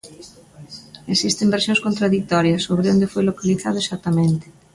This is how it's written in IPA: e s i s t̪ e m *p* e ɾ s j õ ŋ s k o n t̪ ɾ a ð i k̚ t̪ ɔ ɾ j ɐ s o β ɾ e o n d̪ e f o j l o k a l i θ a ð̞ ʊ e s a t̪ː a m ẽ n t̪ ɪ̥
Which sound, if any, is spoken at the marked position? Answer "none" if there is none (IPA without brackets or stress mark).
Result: b